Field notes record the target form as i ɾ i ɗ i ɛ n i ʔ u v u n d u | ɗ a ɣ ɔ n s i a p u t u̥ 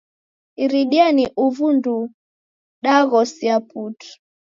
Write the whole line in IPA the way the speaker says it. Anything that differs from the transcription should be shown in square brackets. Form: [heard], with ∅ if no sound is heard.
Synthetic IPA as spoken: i ɾ i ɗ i [a] n i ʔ u v u n d u | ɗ a ɣ ɔ [∅] s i a p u t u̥

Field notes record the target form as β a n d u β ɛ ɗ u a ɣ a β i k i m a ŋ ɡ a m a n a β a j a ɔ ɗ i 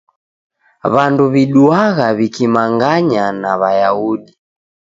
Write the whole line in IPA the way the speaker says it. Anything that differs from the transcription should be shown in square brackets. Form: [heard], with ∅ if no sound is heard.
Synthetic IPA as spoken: β a n d u β [i] ɗ u a ɣ a β i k i m a ŋ ɡ a [ɲ] a n a β a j a [u] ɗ i

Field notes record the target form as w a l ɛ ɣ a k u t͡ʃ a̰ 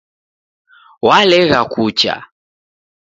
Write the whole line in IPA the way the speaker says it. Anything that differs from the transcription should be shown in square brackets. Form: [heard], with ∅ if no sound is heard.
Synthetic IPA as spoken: w a l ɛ ɣ a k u t͡ʃ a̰

